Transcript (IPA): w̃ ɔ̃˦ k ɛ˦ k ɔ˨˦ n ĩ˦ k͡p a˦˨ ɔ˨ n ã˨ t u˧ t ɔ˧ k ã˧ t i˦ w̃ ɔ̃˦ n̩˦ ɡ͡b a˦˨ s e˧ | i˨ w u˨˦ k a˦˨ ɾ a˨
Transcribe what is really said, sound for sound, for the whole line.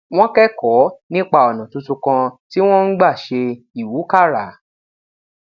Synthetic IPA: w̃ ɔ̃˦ k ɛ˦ k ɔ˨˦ n ĩ˦ k͡p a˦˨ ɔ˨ n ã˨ t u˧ t u˧ k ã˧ t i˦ w̃ ɔ̃˦ n̩˦ ɡ͡b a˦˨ ʃ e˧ | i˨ w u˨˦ k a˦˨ ɾ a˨